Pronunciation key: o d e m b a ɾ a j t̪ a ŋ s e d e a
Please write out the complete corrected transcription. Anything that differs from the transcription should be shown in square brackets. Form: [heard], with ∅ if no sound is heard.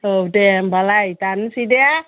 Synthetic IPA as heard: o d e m b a [l] a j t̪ a [n] s [i] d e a